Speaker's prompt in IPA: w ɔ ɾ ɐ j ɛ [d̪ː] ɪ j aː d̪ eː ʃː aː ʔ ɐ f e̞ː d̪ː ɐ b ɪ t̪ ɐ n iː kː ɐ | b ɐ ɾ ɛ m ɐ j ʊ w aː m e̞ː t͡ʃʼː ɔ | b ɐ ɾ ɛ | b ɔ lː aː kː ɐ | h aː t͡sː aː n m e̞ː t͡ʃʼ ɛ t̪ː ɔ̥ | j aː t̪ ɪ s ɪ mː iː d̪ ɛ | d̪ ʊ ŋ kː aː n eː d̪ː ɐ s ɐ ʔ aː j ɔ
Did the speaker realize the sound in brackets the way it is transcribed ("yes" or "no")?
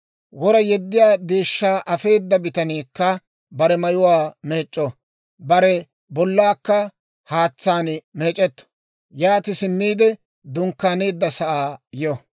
yes